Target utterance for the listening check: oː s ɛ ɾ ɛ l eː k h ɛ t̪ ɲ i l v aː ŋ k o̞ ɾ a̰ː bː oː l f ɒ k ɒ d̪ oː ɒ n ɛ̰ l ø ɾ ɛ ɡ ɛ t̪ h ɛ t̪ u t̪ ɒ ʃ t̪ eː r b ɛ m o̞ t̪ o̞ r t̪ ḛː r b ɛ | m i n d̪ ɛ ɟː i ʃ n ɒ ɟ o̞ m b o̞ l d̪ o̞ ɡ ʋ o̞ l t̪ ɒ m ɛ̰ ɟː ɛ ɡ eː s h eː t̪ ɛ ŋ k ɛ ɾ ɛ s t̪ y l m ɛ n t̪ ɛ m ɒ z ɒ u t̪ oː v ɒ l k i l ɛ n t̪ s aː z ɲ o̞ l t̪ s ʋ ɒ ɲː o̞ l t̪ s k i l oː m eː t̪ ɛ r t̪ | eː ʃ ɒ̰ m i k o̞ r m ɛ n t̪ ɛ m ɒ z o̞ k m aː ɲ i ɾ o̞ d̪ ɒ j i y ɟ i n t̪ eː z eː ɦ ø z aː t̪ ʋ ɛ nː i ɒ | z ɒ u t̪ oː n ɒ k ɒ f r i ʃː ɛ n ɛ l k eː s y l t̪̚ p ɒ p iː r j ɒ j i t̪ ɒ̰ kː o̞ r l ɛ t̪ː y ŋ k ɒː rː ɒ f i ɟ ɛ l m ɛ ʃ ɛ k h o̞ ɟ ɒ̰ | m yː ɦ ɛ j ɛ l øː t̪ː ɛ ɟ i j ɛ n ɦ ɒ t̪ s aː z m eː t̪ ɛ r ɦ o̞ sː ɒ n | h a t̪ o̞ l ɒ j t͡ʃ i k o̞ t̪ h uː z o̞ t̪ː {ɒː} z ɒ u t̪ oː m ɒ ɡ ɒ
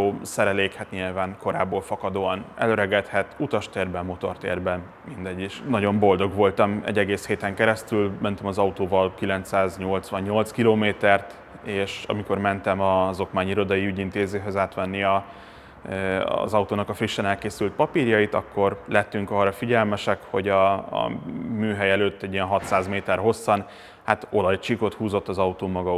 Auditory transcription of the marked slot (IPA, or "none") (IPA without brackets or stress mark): ɒ